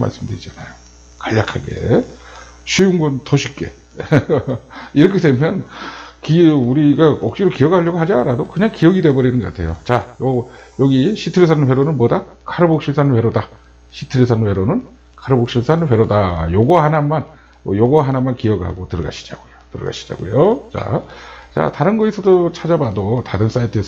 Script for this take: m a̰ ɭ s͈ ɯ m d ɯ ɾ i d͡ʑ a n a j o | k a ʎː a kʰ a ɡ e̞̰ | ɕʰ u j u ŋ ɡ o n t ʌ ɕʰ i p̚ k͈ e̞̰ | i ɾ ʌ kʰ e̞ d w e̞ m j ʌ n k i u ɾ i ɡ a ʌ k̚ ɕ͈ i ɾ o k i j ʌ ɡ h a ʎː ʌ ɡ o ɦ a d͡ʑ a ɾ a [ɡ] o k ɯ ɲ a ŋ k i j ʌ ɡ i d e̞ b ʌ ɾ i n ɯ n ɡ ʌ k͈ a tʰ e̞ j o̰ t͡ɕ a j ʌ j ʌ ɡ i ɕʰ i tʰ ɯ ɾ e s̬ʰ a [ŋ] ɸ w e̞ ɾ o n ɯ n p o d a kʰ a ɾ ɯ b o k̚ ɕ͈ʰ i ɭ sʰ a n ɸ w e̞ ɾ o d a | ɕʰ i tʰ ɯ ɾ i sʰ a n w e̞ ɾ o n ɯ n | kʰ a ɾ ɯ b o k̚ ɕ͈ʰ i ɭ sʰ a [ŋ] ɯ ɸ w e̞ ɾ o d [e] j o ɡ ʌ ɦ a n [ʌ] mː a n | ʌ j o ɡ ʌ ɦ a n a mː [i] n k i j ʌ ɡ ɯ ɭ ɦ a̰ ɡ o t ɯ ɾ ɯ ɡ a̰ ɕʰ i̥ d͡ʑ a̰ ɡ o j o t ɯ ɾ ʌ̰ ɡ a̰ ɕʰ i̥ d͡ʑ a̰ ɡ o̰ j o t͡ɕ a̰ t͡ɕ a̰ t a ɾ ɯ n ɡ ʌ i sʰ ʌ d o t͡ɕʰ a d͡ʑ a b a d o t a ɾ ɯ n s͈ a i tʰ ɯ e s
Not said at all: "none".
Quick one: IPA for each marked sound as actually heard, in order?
d, n, n, a, a, a

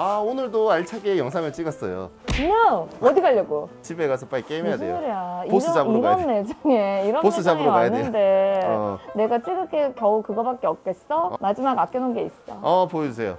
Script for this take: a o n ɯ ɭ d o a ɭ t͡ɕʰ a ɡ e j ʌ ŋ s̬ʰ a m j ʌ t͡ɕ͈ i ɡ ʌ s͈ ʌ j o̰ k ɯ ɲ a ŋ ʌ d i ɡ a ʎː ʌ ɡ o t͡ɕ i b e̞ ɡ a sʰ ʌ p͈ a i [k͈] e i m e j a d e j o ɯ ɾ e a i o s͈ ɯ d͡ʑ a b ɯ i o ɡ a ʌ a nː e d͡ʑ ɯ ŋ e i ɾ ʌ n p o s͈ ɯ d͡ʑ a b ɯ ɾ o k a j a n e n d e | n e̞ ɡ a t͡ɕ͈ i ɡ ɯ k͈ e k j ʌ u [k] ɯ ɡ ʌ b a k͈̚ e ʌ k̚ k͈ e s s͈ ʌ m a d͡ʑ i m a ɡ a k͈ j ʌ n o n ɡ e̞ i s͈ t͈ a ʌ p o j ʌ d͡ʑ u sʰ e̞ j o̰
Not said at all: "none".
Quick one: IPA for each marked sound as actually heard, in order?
k͈, k

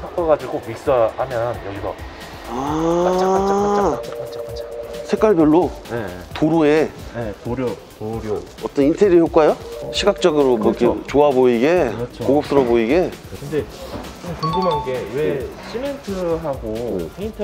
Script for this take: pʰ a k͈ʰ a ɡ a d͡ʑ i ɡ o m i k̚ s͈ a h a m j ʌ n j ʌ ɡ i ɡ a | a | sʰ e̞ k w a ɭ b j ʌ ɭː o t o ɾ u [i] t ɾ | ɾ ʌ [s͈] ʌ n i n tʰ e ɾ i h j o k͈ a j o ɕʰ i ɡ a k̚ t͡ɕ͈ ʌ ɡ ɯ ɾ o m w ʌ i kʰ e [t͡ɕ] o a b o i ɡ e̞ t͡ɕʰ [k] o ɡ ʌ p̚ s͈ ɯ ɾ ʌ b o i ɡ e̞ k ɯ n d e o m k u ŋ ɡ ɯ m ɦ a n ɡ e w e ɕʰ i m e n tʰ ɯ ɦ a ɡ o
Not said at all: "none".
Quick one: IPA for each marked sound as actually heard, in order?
e, t͈, t͡ɕ, k

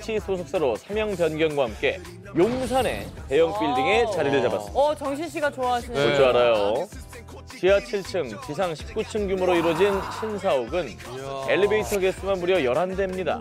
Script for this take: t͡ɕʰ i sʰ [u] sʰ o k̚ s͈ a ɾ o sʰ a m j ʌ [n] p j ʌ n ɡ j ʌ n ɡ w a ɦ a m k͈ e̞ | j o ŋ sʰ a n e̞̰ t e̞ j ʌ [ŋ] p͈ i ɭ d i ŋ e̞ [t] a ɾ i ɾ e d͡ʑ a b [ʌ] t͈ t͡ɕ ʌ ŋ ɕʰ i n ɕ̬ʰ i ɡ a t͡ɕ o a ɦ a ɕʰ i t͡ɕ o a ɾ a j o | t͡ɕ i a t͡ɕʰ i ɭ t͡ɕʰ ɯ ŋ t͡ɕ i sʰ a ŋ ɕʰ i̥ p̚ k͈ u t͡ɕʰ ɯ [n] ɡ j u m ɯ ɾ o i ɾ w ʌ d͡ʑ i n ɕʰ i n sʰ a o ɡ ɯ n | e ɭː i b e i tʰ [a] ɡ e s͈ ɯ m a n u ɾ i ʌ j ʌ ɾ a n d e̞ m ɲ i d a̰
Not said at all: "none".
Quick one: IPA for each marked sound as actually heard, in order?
o, ŋ, ŋ, t͡ɕ, a, ŋ, ʌ

